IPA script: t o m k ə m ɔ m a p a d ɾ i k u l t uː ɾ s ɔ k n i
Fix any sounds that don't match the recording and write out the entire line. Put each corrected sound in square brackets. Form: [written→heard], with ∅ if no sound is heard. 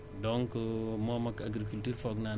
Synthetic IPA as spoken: [t→d] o [m→ŋ] k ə m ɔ m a [p→k] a [d→ɡ] ɾ i k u l t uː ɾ [s→f] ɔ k n [i→a]